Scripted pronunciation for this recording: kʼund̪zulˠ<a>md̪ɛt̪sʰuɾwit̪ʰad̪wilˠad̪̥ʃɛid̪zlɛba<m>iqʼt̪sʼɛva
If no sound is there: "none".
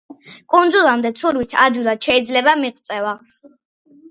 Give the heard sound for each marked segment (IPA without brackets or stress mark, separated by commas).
a, m